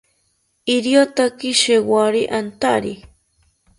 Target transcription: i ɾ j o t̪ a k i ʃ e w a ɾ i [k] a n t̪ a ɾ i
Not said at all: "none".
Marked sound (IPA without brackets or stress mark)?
ʔ